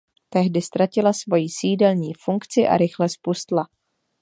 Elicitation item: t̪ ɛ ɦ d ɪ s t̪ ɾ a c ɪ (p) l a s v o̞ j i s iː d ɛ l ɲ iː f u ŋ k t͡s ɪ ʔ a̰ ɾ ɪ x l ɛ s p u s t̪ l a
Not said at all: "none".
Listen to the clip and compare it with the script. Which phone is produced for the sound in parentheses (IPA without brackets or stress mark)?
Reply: none